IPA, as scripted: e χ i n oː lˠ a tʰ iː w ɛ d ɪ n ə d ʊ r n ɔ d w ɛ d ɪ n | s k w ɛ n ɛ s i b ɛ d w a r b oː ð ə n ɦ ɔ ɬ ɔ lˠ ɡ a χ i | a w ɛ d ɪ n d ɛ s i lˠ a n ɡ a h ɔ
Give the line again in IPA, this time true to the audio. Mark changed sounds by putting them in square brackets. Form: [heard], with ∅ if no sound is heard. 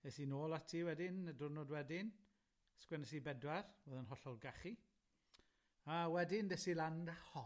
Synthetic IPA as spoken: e [s] i n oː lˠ a tʰ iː w ɛ d ɪ n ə d ʊ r n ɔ d w ɛ d ɪ n | s k w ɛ n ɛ s i b ɛ d w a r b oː ð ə n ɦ ɔ ɬ ɔ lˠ ɡ a χ i | a w ɛ d ɪ n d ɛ s i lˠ a n [d] a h ɔ

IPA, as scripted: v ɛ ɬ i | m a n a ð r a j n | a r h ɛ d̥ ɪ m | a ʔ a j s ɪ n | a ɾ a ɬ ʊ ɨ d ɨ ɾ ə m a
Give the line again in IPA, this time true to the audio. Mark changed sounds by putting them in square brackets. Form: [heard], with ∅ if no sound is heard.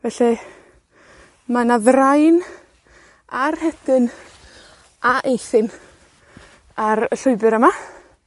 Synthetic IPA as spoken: v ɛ ɬ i | m a n a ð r a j n | a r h ɛ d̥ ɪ [n] | a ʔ [e] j [θ] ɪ n | a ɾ [ə] ɬ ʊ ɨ [b] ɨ ɾ ə m a

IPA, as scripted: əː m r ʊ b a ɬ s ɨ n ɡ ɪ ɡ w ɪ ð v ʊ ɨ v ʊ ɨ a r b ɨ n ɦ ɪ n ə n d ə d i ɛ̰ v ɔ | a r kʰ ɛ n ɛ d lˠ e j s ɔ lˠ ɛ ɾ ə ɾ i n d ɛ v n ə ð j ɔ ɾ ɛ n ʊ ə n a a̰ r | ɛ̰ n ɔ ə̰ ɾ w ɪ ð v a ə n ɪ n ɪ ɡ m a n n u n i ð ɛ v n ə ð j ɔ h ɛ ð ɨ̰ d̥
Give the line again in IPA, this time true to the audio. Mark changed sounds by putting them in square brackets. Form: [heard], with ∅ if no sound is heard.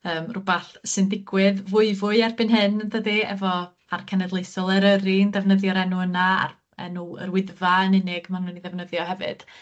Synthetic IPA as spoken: əː m r ʊ b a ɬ s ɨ n [d] ɪ ɡ w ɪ ð v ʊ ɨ v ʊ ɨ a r b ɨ n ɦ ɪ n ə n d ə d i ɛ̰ v ɔ | a r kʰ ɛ n ɛ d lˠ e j s ɔ lˠ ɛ ɾ ə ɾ i n d ɛ v n ə ð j ɔ ɾ ɛ n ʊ ə n a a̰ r | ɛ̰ n [u] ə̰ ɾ w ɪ ð v a ə n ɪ n ɪ ɡ m a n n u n i ð ɛ v n ə ð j ɔ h ɛ [v] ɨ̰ d̥

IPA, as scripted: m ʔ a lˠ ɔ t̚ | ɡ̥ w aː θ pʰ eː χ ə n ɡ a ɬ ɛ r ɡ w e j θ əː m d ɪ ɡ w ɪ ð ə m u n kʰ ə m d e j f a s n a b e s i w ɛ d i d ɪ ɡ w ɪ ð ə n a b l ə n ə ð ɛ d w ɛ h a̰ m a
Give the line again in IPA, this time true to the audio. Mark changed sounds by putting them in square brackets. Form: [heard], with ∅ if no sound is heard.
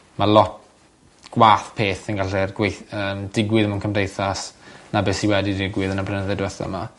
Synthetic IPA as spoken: m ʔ a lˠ ɔ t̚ | ɡ̥ w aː θ pʰ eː [θ] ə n ɡ a ɬ ɛ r ɡ w e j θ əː m d ɪ ɡ w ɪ ð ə m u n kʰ ə m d e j [θ] a s n a b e s i w ɛ d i d ɪ ɡ w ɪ ð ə n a b l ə n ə ð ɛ d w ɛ [θ] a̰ m a

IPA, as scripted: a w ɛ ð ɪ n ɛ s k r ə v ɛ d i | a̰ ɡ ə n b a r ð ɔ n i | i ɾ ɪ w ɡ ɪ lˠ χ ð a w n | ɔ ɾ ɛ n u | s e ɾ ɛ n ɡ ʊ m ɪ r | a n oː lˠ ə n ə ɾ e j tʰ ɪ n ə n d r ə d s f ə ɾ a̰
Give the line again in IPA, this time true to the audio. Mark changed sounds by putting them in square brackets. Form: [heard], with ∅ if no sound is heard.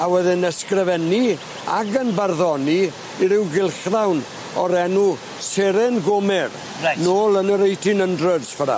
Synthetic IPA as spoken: a w ɛ ð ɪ n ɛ s k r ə v ɛ [n] i | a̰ ɡ ə n b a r ð ɔ n i | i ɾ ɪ w ɡ ɪ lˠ χ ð a w n | ɔ ɾ ɛ n u | s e ɾ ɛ n ɡ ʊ m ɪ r | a n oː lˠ ə n ə ɾ e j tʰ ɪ n ə n d r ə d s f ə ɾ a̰

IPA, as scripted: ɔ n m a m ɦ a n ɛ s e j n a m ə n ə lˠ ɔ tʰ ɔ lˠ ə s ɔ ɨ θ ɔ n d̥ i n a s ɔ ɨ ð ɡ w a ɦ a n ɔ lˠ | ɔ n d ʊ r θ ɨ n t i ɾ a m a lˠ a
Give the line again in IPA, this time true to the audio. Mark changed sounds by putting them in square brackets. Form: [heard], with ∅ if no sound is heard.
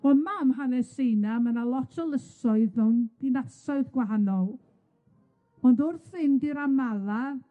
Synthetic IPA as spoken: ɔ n m a m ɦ a n ɛ s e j n a m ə n [a] lˠ ɔ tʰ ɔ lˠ ə s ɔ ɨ [ð] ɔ n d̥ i n a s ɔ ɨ ð ɡ w a ɦ a n ɔ lˠ | ɔ n d ʊ r θ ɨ n [d] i ɾ a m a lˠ a

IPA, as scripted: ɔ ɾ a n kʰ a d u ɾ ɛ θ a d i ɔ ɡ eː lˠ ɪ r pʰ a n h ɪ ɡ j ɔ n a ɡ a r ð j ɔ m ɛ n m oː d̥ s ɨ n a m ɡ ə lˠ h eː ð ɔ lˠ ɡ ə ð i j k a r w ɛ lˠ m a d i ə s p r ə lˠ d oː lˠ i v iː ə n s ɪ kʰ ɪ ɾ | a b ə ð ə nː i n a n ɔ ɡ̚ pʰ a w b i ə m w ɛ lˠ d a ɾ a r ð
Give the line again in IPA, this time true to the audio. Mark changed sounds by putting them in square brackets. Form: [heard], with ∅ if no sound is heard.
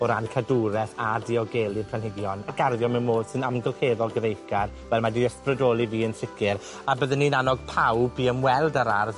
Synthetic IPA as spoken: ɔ ɾ a n kʰ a d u ɾ ɛ θ a d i ɔ ɡ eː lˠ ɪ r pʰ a n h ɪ ɡ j ɔ n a ɡ a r ð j ɔ m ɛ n m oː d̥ s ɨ n a m ɡ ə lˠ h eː ð ɔ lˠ ɡ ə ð [e] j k a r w ɛ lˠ m a d i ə s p r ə [∅] d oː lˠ i v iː ə n s ɪ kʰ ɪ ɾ | a b ə ð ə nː i n a n ɔ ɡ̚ pʰ a w b i ə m w ɛ lˠ d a ɾ a r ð

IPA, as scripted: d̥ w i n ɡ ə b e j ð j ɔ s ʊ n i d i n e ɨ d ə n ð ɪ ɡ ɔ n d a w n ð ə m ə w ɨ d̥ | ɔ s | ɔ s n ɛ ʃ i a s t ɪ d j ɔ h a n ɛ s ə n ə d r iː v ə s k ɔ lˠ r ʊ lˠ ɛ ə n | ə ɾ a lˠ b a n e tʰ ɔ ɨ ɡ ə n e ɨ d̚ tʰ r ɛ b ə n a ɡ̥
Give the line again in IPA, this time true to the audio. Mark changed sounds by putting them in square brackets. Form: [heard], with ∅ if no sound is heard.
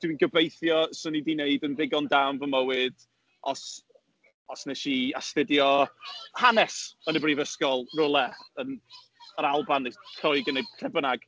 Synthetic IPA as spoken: d̥ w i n ɡ ə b e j [θ] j ɔ s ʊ n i d i n e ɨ d ə n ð ɪ ɡ ɔ n d a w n [v] ə m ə w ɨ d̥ | ɔ s | ɔ s n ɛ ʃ i a s t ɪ d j ɔ h a n ɛ s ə n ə [b] r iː v ə s k ɔ lˠ r ʊ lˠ ɛ ə n | ə ɾ a lˠ b a n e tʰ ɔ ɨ ɡ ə n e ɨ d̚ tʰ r ɛ b ə n a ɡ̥

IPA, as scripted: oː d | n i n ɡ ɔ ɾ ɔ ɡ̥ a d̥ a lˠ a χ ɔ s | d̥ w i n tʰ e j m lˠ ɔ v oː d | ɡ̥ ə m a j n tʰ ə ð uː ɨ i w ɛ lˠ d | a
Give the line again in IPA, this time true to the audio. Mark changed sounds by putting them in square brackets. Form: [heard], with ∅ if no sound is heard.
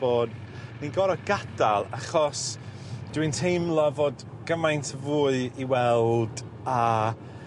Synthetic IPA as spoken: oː d | n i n ɡ ɔ ɾ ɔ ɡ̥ a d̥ a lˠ a χ ɔ s | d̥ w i n tʰ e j m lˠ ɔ v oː d | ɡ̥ ə m a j n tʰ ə [v] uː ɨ i w ɛ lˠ d | a

